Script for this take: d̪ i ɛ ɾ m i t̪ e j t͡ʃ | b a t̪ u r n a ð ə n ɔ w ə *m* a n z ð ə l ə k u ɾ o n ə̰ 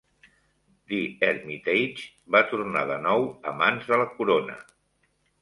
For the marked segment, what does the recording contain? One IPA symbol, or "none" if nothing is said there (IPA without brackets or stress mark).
m